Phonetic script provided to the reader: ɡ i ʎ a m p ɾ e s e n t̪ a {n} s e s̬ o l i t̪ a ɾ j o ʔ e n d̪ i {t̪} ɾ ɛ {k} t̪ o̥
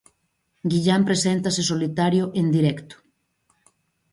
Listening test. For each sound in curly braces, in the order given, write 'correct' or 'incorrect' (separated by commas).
incorrect, incorrect, correct